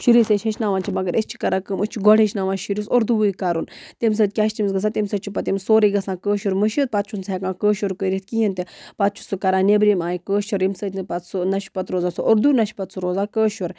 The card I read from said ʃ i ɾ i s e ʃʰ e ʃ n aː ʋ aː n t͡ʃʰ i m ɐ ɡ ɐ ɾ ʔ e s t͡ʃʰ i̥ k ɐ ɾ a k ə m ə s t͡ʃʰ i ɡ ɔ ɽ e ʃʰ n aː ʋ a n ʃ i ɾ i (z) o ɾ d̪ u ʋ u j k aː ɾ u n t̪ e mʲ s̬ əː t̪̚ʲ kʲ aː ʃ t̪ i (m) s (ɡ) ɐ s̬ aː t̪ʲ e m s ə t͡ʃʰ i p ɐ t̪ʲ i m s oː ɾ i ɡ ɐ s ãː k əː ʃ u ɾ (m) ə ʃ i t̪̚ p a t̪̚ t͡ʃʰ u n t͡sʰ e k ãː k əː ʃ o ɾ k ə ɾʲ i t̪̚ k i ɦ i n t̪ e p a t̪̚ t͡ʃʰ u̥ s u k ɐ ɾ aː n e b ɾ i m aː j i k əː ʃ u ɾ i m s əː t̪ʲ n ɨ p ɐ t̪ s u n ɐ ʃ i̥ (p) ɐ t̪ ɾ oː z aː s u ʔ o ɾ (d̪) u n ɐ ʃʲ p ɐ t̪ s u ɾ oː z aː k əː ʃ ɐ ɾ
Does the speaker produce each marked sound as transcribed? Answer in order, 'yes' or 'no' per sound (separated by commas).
no, yes, yes, yes, yes, yes